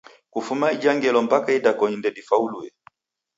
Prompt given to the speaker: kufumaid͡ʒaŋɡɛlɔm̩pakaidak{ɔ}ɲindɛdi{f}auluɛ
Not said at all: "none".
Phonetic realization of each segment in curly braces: ɔ, f

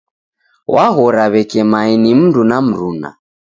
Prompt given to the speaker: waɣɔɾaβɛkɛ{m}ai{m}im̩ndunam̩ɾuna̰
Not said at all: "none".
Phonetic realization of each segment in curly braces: m, n

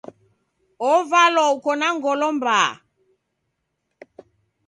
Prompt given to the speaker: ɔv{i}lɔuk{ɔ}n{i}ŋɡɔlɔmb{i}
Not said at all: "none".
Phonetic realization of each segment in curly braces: a, ɔ, a, a

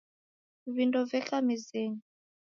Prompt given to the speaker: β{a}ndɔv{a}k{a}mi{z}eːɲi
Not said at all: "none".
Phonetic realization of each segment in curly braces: i, ɛ, a, z

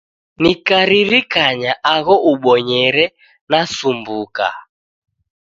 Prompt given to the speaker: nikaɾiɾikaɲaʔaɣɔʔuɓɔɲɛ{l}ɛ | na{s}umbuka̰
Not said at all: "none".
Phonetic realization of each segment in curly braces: ɾ, s

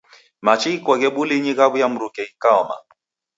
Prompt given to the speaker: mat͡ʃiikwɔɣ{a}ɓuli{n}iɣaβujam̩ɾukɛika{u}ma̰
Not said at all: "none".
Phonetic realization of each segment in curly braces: ɛ, ɲ, ɔ

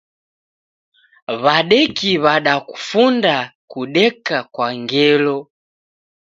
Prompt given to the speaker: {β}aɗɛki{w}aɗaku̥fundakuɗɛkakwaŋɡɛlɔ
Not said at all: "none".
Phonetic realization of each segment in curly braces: β, β

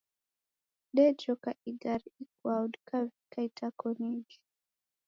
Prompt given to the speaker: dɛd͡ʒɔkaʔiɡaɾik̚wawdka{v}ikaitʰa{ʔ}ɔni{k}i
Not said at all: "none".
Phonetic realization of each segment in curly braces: v, k, ɡ

